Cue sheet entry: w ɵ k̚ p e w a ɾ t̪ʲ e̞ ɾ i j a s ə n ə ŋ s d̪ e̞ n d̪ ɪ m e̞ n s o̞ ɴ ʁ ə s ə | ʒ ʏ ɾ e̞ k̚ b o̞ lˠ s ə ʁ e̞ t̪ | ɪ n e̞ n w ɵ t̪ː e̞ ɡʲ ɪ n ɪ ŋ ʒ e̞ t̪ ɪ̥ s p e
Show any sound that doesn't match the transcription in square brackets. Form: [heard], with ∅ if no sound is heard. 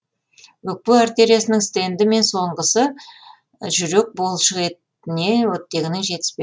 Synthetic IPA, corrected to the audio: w ɵ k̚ p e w a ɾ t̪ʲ e̞ ɾ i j a s ə n ə ŋ s [t̪] e̞ n d̪ ɪ m e̞ n s o̞ ɴ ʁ ə s ə | ʒ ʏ ɾ e̞ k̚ b o̞ lˠ [ʃ] ə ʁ e̞ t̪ | ɪ n e̞ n w ɵ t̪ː e̞ ɡʲ ɪ n ɪ ŋ ʒ e̞ t̪ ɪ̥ s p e